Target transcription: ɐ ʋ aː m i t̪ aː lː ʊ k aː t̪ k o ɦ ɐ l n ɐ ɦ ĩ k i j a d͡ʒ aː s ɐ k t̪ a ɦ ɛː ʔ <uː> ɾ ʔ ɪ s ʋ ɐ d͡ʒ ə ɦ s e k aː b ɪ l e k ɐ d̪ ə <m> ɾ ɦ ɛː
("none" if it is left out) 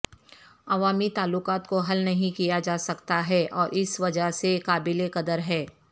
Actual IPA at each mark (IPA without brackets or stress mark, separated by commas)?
ɔː, none